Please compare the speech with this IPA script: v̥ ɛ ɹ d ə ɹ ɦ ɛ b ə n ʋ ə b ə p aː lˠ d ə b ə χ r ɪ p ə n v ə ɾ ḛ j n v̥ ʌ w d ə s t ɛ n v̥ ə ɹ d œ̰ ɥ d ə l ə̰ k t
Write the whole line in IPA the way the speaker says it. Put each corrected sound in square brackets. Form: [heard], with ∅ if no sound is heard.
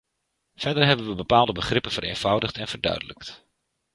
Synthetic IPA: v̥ ɛ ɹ d ə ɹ ɦ ɛ b ə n ʋ ə b ə p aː lˠ d ə b ə χ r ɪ p ə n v ə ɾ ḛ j n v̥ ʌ w d ə [χ] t ɛ n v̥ ə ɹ d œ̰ ɥ d ə l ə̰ k t